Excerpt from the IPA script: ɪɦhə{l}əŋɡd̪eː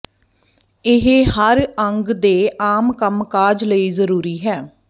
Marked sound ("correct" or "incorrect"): incorrect